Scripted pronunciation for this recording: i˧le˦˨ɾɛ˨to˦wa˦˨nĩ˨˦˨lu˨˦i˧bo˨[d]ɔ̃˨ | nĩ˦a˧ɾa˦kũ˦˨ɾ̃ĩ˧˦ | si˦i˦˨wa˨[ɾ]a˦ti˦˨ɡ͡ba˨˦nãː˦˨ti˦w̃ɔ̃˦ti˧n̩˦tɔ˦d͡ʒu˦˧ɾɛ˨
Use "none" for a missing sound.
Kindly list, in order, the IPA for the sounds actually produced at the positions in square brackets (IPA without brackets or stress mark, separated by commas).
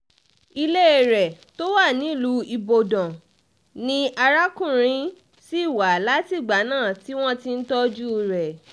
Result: d, l